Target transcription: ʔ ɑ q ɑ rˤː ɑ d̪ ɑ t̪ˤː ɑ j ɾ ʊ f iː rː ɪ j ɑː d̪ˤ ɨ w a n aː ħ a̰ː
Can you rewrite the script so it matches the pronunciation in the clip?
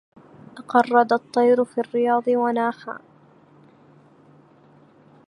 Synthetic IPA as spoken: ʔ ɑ q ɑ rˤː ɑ d̪ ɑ t̪ˤː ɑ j ɾ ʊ f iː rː ɪ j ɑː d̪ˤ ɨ w a n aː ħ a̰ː